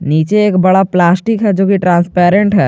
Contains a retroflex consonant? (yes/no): yes